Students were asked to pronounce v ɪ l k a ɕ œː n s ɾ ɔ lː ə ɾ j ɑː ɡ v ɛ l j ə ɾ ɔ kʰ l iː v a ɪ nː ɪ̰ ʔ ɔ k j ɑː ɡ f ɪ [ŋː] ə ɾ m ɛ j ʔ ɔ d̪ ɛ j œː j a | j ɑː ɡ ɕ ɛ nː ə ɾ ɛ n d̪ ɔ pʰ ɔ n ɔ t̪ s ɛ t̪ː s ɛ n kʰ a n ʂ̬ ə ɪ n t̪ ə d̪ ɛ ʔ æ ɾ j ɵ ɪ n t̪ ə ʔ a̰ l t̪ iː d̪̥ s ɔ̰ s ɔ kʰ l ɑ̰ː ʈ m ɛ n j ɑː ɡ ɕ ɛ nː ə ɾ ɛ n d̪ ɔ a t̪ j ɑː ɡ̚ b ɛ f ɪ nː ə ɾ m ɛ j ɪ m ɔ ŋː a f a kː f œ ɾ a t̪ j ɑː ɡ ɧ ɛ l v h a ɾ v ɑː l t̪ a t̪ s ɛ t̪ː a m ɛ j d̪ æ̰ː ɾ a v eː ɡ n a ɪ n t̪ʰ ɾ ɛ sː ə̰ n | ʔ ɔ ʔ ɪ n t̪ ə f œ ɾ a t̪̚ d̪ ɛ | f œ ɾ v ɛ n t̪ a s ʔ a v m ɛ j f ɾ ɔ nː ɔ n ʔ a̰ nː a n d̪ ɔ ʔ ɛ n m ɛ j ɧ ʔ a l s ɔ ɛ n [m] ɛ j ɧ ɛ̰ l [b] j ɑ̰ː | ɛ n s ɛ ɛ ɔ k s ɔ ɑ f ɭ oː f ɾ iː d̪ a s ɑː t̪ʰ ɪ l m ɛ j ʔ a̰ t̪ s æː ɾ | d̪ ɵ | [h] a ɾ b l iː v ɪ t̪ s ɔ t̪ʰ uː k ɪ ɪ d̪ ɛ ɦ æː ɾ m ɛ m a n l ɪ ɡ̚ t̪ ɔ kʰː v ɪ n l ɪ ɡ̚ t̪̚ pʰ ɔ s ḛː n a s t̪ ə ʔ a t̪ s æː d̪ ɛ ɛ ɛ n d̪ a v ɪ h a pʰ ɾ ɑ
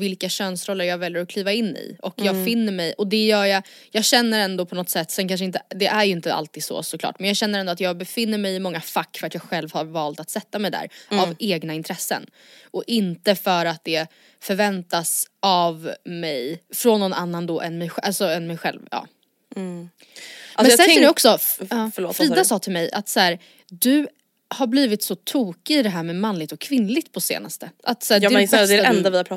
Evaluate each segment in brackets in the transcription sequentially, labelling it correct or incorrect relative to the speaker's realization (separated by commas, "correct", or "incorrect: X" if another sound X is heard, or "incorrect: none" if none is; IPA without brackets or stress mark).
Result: incorrect: nː, correct, incorrect: v, correct